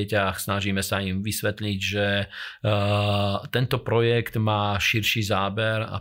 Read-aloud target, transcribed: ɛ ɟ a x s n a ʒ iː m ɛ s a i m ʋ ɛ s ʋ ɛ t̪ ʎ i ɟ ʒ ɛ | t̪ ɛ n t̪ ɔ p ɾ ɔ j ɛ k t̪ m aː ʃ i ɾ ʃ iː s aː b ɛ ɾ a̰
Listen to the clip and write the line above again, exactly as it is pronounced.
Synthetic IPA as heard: ɛ c a x s n a ʒ iː m ɛ s a i m ʋ i s ʋ ɛ t̪ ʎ i ɟ ʒ ɛ | t̪ ɛ n t̪ ɔ p ɾ ɔ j ɛ k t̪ m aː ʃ i ɾ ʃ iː z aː b ɛ ɾ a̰